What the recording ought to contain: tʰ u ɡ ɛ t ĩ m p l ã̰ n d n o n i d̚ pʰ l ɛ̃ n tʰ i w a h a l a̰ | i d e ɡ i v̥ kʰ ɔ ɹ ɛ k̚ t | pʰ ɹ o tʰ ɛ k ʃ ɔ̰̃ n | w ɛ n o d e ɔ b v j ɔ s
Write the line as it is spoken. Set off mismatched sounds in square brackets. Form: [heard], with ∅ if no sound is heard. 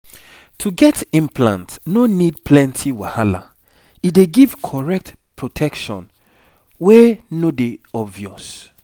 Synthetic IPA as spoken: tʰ u ɡ ɛ t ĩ m p l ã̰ n [t] n o n i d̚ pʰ l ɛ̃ n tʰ i w a h a l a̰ | i d e ɡ i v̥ kʰ ɔ ɹ ɛ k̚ t | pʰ ɹ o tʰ ɛ k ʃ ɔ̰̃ n | w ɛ n o d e ɔ b v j ɔ s